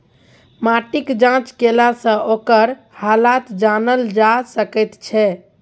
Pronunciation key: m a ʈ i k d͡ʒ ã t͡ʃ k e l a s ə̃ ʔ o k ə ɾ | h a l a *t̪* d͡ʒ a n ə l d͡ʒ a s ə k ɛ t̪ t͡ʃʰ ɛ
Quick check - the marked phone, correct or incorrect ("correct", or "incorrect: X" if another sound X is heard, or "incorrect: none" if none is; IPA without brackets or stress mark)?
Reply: correct